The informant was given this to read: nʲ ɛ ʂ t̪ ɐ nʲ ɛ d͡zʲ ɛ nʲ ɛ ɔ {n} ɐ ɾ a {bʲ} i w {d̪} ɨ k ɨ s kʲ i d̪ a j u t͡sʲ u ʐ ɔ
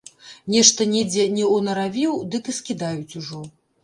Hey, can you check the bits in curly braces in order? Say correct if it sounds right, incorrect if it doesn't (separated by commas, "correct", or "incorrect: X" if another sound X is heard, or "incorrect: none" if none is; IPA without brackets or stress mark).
correct, incorrect: vʲ, correct